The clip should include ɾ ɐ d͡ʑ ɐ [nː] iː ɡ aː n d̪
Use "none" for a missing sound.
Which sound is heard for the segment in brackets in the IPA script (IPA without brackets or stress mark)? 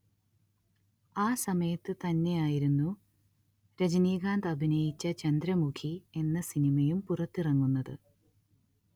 n